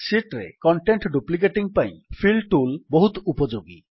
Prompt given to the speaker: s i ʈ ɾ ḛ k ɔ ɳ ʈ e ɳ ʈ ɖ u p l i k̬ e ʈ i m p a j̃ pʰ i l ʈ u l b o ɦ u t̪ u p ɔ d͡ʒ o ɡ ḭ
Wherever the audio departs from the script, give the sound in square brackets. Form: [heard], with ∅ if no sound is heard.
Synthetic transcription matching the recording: s i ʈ ɾ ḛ k ɔ ɳ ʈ e ɳ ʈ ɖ u p l i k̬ e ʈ i [ŋ] p a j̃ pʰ i l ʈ u l b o ɦ u t̪ u p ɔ d͡ʒ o ɡ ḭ